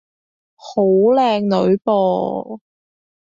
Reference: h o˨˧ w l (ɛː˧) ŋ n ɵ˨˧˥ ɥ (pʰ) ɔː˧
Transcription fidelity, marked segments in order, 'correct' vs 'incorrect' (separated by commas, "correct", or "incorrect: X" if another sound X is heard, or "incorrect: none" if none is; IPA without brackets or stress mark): correct, incorrect: p